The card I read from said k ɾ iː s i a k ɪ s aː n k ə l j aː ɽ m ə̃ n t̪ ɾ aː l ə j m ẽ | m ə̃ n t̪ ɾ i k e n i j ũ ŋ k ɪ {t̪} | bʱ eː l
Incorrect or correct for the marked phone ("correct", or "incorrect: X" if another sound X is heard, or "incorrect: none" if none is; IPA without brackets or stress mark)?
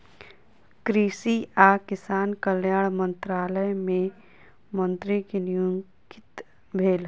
correct